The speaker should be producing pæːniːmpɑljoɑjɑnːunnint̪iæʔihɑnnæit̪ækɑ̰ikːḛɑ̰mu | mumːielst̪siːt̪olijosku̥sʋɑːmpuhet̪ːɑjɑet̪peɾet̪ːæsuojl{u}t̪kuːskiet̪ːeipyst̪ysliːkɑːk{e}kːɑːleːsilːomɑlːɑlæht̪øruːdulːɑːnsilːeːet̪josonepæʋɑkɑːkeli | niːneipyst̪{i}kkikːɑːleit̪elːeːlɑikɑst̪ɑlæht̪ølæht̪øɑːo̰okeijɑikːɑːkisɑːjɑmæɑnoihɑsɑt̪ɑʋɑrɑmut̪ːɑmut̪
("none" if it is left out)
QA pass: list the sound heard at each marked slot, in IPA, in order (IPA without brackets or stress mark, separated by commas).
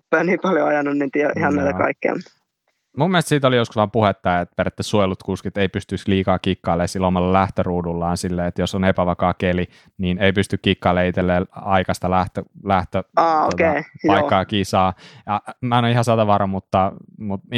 u, i, y